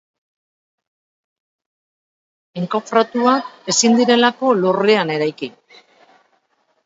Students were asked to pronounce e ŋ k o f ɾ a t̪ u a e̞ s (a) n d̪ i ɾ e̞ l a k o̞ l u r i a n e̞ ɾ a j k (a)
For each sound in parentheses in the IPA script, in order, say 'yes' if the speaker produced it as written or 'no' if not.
no, no

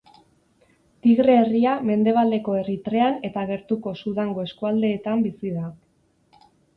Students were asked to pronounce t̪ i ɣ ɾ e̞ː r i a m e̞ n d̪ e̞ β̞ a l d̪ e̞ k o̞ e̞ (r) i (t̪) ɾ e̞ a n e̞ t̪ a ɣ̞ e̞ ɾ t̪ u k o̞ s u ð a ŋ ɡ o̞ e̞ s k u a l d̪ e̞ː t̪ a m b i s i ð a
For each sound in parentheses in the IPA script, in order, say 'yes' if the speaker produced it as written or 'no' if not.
yes, yes

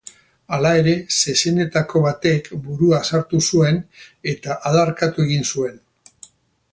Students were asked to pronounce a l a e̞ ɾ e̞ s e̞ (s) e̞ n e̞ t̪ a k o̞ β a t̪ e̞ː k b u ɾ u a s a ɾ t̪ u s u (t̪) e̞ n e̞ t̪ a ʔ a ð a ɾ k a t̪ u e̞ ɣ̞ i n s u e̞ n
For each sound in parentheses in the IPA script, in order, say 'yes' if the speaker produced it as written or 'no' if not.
yes, no

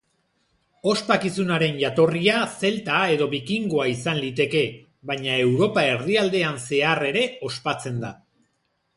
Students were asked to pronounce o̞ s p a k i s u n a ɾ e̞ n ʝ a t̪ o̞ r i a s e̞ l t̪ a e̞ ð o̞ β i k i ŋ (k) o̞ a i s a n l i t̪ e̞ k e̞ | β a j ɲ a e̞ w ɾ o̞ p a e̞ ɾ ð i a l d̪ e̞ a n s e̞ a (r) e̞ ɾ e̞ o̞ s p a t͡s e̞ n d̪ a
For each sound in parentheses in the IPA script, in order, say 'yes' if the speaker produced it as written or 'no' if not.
no, yes

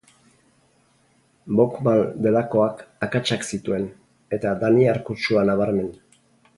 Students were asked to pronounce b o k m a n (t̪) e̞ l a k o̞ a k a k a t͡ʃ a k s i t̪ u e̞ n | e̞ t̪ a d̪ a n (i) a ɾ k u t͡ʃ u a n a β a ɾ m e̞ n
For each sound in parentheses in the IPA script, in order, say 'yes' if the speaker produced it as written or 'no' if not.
no, yes

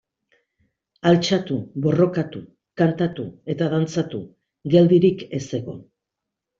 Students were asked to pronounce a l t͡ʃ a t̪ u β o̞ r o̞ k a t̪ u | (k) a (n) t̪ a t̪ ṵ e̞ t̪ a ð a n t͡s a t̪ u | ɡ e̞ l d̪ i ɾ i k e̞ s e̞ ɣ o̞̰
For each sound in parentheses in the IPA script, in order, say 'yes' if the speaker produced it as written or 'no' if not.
yes, yes

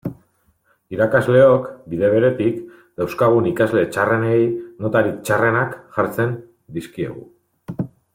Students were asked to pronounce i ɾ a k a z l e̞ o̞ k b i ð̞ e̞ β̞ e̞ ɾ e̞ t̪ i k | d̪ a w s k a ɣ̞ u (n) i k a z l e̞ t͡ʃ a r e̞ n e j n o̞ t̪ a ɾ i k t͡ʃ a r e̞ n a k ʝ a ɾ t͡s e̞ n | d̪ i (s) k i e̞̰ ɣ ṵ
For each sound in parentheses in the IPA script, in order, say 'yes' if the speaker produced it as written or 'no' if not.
yes, yes

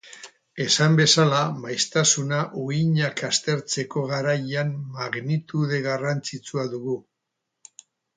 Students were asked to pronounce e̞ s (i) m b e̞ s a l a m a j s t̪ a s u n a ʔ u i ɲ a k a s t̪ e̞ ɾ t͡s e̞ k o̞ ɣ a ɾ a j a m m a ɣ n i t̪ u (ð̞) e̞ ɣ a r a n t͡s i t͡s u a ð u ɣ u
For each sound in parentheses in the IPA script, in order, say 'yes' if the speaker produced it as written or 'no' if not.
no, yes

